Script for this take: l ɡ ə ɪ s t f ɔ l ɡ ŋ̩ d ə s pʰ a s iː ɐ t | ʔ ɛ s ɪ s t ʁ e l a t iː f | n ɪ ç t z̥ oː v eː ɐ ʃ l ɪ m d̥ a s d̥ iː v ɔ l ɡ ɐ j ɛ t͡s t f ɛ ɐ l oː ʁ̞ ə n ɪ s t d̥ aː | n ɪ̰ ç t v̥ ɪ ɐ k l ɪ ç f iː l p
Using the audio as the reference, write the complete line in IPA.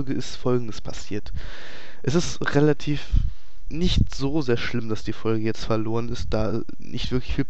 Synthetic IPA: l ɡ ə ɪ s t f ɔ l ɡ ŋ̩ d ə s pʰ a s iː ɐ t | ʔ ɛ s ɪ s t ʁ e l a tʰ iː f | n ɪ ç t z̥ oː z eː ɐ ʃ l ɪ m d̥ a s d̥ iː f ɔ l ɡ ə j ɛ t͡s t f ɛ ɐ l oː ʁ̞ ə n ɪ s t d̥ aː | n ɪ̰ ç t v̥ ɪ ɐ k l ɪ ç f iː l p